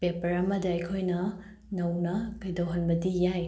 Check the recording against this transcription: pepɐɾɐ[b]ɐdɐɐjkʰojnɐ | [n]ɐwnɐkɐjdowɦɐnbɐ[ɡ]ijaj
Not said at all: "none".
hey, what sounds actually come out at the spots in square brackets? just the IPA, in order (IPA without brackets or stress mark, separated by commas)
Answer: m, n, d